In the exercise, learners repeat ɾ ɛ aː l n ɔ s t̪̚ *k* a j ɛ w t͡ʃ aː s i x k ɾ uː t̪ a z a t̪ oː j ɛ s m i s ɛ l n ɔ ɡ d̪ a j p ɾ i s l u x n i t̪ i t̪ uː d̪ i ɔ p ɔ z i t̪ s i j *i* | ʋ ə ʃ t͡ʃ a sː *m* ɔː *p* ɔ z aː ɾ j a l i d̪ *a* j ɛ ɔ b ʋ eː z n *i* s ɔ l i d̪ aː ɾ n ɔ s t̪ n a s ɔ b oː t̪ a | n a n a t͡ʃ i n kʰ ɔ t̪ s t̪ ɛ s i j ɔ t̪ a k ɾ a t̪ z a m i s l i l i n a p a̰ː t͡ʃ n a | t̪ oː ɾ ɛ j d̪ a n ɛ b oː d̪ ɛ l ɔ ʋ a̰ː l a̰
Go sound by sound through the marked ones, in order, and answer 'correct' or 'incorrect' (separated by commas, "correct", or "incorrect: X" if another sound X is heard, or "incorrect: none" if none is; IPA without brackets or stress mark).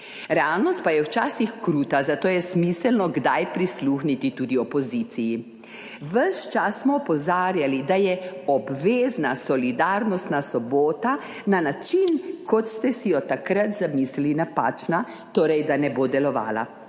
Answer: incorrect: p, correct, correct, correct, correct, incorrect: a